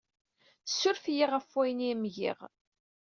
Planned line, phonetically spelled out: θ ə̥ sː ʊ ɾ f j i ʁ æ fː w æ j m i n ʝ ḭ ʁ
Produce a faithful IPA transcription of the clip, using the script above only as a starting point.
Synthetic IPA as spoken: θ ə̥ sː ʊ ɾ f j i ʁ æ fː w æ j n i m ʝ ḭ ʁ

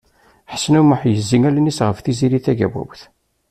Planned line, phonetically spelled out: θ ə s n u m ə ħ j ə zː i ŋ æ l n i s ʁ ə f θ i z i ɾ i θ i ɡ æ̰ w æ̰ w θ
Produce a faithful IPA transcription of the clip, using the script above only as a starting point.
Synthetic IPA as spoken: ħ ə s n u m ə ħ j ə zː i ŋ æ l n i s ʁ ə f θ i z i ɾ i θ æ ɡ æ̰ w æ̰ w θ

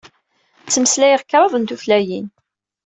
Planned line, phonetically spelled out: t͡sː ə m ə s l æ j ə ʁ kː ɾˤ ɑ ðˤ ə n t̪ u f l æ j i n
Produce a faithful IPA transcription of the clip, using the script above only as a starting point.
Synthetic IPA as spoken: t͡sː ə m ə s l æ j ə ʁ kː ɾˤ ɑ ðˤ ə n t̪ u f l æ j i n

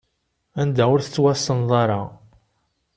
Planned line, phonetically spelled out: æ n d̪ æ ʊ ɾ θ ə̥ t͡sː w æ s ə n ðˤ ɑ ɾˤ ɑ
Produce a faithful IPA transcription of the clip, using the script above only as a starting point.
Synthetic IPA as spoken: æ n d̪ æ ʊ ɾ θ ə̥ t͡sː w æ s ə n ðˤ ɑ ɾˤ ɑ

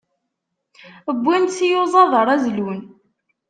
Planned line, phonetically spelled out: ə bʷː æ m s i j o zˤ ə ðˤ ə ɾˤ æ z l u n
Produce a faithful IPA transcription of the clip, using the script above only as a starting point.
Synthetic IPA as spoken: ə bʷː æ n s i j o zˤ ɑ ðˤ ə ɾˤ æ z l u n

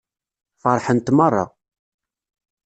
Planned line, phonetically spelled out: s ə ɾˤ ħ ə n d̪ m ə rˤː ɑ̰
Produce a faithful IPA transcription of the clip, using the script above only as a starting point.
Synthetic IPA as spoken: f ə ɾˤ ħ ə n t̪ m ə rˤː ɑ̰

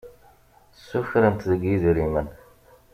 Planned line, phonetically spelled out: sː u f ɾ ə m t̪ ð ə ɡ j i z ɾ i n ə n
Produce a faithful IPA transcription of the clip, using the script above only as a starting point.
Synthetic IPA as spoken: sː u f ɾ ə n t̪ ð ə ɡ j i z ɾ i m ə n

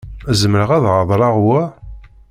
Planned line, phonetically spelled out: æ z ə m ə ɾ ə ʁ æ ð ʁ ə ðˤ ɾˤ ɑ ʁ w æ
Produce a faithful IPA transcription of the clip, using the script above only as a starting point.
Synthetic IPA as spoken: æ z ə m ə ɾ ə ʁ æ ð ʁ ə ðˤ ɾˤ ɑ ʁ w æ

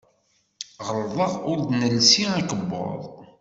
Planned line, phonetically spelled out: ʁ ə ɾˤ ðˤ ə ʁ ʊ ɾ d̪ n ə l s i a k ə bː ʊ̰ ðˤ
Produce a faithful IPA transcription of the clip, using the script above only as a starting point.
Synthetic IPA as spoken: ʁ ə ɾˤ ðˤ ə ʁ ʊ ɾ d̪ n ə l s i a k ə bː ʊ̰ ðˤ

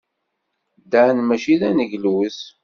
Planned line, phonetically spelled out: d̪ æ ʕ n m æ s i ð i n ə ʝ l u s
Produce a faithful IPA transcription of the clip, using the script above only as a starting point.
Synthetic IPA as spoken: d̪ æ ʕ n m æ ʃ i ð æ n ə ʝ l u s

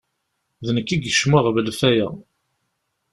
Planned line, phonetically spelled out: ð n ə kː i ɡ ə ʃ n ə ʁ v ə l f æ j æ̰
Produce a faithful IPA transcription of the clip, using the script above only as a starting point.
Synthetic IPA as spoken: ð n ə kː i ɡ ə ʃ m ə ʁ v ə l f æ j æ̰

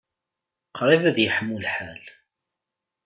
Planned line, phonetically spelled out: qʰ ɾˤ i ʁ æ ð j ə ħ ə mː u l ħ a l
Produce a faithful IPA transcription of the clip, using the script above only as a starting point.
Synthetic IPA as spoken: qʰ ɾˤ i v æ ð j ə ħ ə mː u l ħ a l

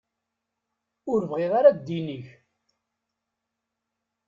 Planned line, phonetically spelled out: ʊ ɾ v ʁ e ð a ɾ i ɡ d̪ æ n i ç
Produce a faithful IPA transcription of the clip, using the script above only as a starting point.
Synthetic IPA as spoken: ʊ ɾ v ʁ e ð a ɾ a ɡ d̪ i n i ç

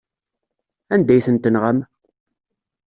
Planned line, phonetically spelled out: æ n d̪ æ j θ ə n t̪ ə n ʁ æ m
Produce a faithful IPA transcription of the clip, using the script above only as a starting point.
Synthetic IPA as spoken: æ n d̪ æ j θ ə n t̪ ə n ʁ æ m

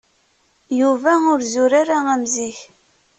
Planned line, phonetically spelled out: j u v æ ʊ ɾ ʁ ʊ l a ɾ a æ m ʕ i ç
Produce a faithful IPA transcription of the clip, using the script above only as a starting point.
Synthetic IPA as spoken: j u v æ ʊ ɾ z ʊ ɾ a ɾ a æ m z i ç

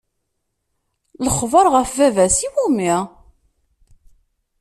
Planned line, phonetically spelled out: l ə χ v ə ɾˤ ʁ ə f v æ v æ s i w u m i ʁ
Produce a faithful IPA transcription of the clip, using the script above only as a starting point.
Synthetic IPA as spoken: l ə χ v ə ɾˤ ʁ ə f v æ v æ s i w u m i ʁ

